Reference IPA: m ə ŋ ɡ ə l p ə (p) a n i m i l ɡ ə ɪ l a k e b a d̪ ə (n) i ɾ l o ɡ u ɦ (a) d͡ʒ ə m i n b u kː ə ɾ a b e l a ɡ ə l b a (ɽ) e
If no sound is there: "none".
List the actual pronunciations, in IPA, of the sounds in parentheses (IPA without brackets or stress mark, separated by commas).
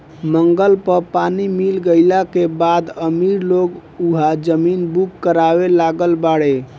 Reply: p, m, a, ɽ